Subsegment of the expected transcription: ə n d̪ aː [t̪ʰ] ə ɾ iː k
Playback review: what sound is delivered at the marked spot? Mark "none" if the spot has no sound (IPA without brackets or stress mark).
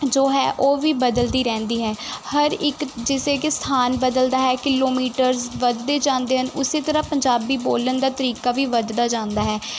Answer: t̪